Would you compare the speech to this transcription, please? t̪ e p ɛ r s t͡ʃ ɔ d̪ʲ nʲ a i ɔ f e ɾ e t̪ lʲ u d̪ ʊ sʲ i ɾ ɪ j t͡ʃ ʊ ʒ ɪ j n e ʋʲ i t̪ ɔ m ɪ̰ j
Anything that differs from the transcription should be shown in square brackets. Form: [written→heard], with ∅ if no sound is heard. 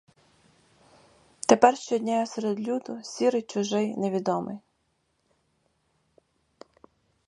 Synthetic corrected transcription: t̪ e p ɛ r [s→ʃ] t͡ʃ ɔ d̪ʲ nʲ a [i→j] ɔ [f→s] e ɾ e [t̪→d̪] lʲ u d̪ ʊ sʲ i ɾ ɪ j t͡ʃ ʊ ʒ ɪ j n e ʋʲ i [t̪→d̪] ɔ m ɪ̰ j